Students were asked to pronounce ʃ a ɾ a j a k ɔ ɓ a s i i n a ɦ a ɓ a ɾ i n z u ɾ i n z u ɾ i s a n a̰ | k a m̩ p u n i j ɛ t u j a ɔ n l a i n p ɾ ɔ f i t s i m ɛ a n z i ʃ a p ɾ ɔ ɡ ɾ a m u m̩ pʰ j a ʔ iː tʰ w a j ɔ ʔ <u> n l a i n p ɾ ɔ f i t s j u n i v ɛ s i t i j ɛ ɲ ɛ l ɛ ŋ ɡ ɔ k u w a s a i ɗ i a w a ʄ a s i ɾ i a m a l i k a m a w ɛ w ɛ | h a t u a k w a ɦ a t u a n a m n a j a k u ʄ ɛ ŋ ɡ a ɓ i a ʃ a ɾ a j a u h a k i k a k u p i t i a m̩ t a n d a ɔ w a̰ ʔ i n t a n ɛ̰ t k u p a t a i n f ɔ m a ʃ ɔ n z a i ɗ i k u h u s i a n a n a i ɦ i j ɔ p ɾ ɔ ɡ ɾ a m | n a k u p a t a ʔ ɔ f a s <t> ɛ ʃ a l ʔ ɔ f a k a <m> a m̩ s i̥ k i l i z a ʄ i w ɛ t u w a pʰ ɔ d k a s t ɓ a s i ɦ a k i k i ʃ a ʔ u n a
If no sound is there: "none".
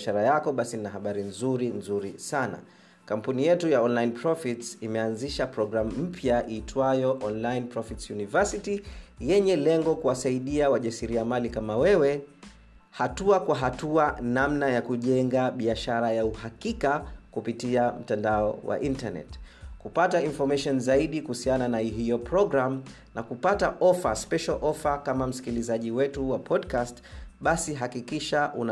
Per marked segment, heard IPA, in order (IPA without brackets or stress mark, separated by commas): ɔ, p, m